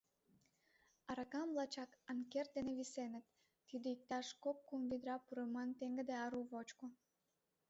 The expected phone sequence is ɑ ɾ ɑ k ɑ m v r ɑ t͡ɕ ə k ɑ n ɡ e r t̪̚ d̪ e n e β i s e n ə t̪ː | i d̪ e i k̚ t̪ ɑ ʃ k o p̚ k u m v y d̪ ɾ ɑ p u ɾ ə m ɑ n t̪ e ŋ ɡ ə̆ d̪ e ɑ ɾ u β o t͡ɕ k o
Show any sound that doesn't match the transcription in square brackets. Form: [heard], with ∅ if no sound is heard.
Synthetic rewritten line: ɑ ɾ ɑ k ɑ m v [l] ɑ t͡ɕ [ɑ] k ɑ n [k] e r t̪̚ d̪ e n e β i s e n ə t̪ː | i d̪ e i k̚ t̪ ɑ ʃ k o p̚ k u m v [i] d̪ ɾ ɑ p u ɾ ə m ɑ n t̪ e ŋ ɡ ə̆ d̪ e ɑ ɾ u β o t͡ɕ k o

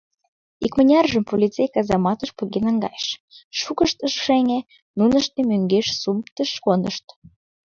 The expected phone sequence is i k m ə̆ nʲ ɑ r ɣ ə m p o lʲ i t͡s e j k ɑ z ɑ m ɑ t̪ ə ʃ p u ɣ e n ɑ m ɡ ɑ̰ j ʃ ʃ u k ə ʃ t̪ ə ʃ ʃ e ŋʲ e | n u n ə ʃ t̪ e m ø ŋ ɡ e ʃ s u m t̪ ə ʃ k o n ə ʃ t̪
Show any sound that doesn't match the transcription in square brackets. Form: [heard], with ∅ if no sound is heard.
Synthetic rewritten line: i k m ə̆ nʲ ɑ r [ʒ] ə m p o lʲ i t͡s e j k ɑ z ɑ m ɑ t̪ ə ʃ p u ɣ e n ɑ [ŋ] ɡ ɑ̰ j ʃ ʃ u k ə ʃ t̪ ə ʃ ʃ e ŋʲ e | n u n ə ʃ t̪ e m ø ŋ ɡ e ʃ s u m t̪ ə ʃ k o n ə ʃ t̪

